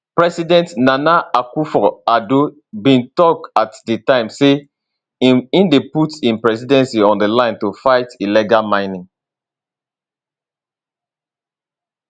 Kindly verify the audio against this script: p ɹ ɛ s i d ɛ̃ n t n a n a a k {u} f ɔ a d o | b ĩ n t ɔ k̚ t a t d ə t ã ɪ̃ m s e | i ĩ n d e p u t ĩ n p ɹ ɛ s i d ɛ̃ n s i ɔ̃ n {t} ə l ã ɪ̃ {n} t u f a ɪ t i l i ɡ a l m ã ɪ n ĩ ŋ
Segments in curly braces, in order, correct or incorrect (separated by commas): correct, incorrect, correct